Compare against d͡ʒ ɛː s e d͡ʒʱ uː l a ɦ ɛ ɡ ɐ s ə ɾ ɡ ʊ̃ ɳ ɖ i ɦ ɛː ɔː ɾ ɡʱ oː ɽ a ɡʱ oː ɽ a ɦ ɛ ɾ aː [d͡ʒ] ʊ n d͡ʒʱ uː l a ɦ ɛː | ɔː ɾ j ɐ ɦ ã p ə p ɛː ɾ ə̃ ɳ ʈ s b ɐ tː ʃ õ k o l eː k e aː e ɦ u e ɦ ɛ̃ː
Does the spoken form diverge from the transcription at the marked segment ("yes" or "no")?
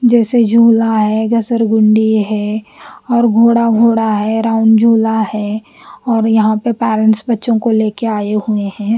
yes